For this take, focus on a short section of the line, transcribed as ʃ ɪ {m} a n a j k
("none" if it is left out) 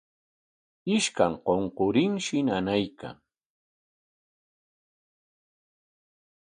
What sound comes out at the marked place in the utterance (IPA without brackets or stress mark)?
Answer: n